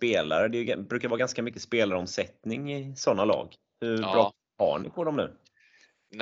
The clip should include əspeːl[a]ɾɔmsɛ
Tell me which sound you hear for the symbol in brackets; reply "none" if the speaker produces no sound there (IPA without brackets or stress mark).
a